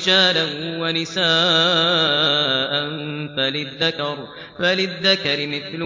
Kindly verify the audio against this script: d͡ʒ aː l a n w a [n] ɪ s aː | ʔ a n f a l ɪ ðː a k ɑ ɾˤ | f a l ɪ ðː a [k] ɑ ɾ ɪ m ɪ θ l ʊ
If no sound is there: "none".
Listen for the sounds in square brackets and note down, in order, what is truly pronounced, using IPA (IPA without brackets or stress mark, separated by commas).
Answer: n, k